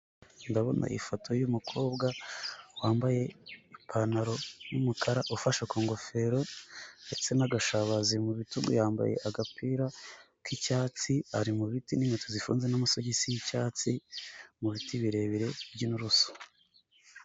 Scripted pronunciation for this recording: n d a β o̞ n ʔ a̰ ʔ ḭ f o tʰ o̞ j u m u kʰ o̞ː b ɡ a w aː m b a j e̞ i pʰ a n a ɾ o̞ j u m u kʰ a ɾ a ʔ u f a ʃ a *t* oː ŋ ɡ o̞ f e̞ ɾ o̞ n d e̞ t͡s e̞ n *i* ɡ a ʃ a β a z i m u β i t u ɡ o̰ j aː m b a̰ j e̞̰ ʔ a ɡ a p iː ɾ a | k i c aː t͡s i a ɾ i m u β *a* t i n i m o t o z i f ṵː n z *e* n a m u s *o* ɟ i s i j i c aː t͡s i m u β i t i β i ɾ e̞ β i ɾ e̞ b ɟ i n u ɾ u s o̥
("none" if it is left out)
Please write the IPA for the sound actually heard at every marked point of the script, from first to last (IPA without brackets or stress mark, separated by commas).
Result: k, a, i, e, o